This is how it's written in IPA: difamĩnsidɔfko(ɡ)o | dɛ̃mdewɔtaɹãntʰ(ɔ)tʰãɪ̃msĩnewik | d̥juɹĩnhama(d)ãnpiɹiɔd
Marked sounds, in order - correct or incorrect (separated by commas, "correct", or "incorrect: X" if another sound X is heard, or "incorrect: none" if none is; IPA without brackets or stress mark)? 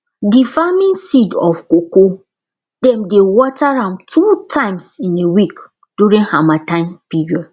incorrect: k, incorrect: u, incorrect: t